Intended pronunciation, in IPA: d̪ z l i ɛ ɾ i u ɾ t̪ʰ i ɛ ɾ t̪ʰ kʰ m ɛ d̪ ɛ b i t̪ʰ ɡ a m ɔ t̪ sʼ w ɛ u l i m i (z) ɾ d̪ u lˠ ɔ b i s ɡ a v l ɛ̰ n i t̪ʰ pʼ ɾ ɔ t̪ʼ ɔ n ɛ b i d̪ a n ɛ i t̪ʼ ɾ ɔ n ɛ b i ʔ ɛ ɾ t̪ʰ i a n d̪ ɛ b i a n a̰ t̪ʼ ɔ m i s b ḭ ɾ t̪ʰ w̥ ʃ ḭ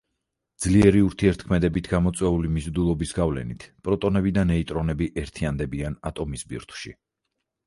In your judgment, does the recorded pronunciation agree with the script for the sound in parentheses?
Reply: yes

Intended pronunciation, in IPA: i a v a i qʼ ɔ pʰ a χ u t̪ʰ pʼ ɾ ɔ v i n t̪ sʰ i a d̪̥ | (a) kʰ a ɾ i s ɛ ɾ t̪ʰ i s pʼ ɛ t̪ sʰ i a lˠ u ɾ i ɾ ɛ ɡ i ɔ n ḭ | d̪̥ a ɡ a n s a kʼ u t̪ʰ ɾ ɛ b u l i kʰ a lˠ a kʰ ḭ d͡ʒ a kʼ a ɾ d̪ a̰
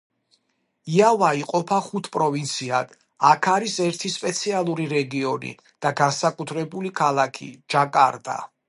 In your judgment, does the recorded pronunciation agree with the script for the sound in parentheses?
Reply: yes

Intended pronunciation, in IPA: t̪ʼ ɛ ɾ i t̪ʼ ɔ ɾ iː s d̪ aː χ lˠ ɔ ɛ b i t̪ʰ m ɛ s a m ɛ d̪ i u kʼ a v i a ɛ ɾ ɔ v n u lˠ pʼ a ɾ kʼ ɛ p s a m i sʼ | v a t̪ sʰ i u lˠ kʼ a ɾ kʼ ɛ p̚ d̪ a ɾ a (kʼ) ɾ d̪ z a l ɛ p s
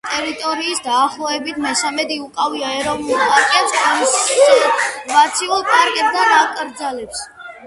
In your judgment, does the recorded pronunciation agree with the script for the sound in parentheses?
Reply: yes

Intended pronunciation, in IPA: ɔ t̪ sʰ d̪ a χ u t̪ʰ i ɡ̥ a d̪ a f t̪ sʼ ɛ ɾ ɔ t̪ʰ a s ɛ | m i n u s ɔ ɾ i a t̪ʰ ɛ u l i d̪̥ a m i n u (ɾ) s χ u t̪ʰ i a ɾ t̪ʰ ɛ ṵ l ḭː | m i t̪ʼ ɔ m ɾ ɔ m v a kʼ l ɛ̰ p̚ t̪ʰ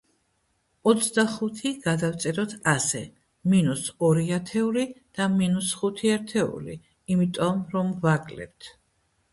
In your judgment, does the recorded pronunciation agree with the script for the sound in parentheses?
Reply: no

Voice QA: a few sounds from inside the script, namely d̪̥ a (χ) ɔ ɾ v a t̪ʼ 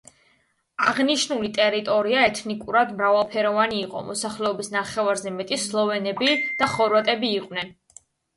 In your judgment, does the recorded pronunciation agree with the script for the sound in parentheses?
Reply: yes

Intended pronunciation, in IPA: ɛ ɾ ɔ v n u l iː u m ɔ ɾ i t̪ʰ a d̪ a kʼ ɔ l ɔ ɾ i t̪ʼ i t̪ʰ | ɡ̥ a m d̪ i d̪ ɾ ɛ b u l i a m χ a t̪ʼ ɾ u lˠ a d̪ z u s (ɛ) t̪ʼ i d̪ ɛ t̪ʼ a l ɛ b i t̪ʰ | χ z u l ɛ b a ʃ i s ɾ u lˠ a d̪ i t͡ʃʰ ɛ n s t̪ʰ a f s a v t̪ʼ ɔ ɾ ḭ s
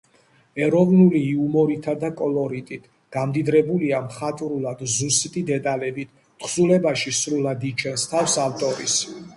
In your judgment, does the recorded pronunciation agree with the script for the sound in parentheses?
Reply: no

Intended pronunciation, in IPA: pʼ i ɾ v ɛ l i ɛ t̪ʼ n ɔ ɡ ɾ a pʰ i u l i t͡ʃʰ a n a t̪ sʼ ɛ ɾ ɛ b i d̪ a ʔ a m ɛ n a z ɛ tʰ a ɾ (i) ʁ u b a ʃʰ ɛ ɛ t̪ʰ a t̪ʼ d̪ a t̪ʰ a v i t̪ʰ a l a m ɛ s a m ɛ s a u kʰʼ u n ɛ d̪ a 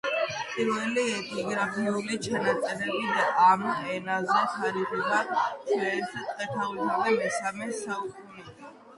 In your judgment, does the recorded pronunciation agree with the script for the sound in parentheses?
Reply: yes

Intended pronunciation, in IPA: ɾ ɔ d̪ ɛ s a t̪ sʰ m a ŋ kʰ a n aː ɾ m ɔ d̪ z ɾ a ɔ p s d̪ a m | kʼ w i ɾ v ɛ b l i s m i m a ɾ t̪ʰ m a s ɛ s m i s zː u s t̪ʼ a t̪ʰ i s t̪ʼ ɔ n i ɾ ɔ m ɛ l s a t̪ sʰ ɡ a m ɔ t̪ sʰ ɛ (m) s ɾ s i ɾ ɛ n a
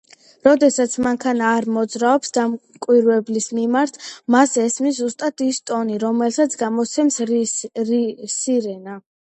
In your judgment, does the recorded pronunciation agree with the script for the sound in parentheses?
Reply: yes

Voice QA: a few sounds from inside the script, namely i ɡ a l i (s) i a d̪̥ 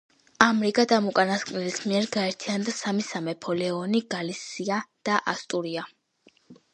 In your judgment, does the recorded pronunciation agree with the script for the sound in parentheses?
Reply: yes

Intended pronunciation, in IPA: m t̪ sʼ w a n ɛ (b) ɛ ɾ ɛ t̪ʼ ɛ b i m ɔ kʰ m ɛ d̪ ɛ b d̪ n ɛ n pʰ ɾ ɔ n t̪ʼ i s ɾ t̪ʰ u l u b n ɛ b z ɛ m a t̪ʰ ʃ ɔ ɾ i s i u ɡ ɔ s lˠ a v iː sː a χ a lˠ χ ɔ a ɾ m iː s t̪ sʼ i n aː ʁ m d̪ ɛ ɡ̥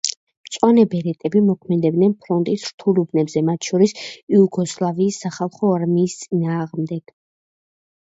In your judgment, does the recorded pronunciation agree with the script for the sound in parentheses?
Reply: yes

